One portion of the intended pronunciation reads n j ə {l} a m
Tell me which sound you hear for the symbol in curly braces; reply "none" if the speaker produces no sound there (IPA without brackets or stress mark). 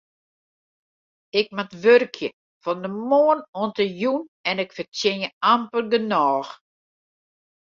none